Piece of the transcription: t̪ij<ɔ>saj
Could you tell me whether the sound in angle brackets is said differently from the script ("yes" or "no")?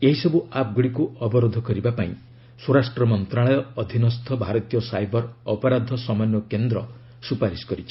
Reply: no